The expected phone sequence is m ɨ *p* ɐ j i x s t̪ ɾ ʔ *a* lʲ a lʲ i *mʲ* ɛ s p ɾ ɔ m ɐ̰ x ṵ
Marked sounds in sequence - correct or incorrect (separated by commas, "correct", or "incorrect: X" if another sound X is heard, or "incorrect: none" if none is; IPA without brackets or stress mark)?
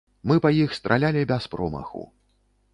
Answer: correct, correct, incorrect: bʲ